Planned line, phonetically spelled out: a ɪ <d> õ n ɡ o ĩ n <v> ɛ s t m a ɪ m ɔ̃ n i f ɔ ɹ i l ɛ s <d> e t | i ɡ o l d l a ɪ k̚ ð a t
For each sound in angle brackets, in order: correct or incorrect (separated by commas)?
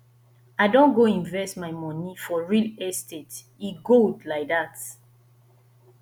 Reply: correct, correct, incorrect